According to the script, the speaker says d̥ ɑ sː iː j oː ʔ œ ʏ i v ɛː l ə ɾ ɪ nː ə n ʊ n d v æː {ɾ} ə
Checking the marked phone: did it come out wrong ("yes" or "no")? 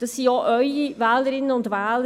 yes